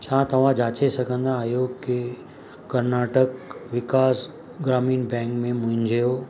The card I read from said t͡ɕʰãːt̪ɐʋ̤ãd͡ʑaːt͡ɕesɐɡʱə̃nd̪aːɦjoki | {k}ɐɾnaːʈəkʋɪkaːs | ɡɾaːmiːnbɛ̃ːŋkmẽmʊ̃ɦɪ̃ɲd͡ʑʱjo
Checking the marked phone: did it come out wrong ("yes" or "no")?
no